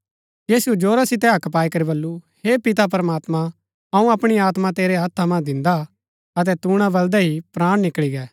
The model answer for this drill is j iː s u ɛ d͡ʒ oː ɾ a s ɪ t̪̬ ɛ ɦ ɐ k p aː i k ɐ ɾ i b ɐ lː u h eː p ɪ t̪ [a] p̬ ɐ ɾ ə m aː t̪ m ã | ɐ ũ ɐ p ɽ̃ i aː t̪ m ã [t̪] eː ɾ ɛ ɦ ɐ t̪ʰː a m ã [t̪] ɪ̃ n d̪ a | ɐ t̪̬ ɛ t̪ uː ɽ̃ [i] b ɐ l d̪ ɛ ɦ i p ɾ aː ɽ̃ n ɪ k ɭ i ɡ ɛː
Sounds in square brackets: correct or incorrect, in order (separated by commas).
correct, correct, incorrect, incorrect